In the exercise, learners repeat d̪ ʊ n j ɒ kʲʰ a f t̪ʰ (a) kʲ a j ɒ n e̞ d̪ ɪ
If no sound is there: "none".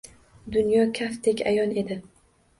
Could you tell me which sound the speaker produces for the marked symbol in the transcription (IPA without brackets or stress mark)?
e